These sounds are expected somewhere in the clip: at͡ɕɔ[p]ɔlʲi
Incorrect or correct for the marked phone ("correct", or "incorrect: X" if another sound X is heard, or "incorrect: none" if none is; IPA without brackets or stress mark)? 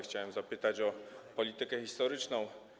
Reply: correct